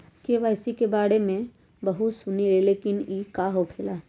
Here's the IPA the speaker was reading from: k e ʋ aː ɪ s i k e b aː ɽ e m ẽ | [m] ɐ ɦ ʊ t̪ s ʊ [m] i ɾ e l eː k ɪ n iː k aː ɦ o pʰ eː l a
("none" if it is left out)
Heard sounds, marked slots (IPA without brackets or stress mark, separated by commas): b, n